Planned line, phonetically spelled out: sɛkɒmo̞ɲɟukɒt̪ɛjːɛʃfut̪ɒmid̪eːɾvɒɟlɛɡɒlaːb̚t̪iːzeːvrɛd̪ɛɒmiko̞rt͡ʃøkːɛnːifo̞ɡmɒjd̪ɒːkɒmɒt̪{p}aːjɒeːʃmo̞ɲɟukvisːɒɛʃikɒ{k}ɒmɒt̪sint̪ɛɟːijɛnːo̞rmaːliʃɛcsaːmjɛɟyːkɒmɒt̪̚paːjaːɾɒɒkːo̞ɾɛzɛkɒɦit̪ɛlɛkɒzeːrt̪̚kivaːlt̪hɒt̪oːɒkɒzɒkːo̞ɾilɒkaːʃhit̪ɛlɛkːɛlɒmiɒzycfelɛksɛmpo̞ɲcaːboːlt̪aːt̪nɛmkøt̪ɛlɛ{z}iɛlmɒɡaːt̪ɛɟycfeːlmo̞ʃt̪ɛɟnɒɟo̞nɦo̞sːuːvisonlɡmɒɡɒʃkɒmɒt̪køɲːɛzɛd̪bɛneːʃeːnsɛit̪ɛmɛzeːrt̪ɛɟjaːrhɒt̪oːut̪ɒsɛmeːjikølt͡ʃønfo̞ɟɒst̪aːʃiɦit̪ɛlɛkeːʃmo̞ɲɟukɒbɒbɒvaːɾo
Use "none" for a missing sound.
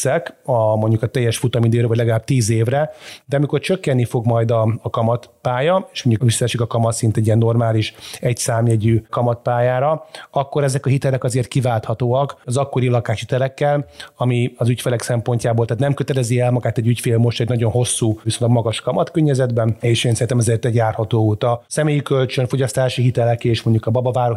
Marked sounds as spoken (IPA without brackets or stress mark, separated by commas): p, k, z